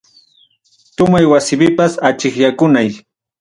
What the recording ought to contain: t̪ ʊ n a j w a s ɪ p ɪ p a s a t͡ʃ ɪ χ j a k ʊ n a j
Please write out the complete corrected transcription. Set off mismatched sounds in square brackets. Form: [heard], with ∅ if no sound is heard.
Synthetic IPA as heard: t̪ ʊ [m] a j w a s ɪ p ɪ p a s a t͡ʃ ɪ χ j a k ʊ n a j